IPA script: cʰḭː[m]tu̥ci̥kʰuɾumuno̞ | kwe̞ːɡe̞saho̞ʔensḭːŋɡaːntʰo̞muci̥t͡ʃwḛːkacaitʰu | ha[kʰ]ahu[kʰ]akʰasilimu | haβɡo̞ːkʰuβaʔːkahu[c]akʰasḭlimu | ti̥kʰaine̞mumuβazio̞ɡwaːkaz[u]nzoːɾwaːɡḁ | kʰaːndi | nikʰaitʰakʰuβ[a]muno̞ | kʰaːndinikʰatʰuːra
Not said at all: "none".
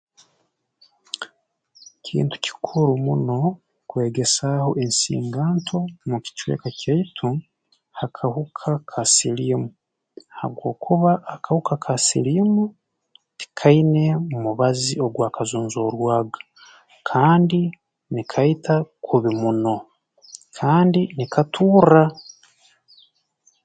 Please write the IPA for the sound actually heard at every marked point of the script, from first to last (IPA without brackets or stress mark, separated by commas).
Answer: n, kʰ, kʰ, k, uː, i